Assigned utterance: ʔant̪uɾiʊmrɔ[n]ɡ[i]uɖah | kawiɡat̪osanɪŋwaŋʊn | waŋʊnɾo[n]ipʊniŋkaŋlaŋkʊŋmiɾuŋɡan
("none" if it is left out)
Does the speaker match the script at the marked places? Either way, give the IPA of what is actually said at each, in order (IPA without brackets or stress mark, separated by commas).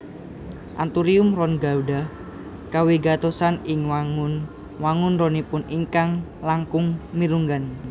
n, a, n